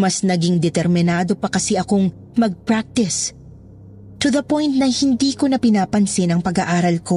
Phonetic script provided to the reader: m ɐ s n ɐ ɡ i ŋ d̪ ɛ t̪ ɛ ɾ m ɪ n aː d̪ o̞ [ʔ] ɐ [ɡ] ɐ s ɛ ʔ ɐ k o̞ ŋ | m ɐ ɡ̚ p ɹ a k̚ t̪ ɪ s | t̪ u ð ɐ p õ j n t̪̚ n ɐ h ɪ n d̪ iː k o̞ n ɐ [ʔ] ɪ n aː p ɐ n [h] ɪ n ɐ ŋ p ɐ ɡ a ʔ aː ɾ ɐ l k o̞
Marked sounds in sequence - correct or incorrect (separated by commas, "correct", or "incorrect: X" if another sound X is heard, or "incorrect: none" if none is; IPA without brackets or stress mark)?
incorrect: p, incorrect: k, incorrect: p, incorrect: s